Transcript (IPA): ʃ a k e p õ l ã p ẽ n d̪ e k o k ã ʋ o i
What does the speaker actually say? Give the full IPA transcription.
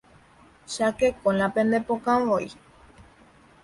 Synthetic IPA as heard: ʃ a k e k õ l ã p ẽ n d̪ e p o k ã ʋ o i